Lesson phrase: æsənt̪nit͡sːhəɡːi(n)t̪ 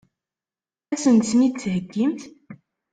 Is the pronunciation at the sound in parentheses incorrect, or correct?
incorrect